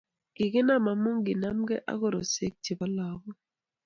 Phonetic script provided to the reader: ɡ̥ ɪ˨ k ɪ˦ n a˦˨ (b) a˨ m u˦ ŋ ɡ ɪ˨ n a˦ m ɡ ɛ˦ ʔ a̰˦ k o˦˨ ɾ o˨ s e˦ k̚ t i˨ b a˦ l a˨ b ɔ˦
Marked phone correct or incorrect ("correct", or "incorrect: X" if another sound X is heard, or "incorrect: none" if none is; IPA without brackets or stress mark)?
incorrect: m